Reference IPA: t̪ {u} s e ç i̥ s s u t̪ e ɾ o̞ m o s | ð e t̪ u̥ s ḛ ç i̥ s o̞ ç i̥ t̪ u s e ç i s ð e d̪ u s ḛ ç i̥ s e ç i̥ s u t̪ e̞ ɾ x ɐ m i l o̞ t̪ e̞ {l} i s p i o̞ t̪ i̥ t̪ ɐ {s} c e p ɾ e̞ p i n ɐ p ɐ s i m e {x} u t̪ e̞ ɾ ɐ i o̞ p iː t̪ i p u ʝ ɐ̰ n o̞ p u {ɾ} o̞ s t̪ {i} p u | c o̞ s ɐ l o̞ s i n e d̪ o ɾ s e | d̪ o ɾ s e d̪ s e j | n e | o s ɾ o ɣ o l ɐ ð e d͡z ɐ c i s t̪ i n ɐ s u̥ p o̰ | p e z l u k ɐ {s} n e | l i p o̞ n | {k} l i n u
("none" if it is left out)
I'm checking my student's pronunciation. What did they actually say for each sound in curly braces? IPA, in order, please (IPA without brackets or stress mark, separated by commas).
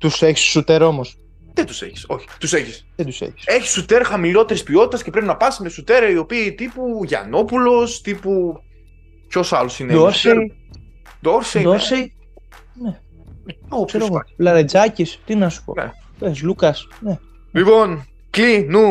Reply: u, ɾ, s, s, l, i, s, k